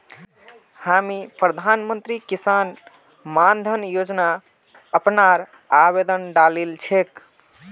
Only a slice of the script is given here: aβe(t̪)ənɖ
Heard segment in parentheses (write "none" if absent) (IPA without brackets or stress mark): d̪